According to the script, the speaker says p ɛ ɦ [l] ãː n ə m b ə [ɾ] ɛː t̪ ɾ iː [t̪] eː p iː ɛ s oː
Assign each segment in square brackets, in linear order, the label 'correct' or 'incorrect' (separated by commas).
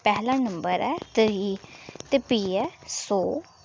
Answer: correct, correct, correct